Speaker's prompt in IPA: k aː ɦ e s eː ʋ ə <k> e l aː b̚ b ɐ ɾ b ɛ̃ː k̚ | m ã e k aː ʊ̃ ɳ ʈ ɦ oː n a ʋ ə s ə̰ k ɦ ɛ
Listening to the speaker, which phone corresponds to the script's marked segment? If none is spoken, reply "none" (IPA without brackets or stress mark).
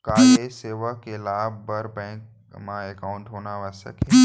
k